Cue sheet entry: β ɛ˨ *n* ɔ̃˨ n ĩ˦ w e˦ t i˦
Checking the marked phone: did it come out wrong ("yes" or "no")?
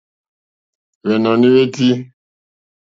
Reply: no